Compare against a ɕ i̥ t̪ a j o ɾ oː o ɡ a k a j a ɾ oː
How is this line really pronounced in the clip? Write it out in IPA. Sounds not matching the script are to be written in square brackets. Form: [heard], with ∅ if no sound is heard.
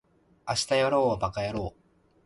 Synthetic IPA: a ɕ i̥ t̪ a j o ɾ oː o [b] a k a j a ɾ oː